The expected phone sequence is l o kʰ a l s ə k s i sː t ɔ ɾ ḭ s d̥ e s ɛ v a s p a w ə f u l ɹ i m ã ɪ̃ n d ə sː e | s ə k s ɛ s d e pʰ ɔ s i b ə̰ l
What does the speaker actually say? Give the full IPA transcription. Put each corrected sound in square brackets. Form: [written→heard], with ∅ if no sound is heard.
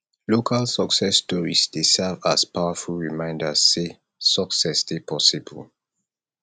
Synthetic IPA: l o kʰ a l s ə k s [i→ɛ] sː t ɔ [ɾ→ɹ] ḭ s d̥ e s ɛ v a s p a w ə f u l ɹ i m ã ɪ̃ n d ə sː e | s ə k s ɛ s d e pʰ ɔ s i b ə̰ l